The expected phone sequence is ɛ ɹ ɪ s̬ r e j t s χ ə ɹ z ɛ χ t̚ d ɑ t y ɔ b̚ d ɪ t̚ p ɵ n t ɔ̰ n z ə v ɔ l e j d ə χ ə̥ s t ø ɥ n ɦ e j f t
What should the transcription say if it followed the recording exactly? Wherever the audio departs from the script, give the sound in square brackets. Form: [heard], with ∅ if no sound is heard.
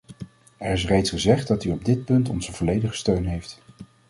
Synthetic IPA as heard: ɛ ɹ ɪ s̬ r e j t s χ ə [∅] z ɛ χ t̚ d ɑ t y ɔ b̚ d ɪ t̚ p ɵ n t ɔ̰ n z ə v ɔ l e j d ə χ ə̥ s t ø ɥ n ɦ e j f t